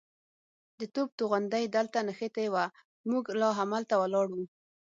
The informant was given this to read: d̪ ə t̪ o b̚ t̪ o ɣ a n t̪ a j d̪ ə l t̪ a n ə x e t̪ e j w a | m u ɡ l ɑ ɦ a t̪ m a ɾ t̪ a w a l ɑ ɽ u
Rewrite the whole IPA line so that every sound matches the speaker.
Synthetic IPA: d̪ ə t̪ o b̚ t̪ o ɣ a n d̪ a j d̪ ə l t̪ a n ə x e t̪ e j w a | m u ɡ l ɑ ɦ a m a l t̪ a w a l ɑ ɽ u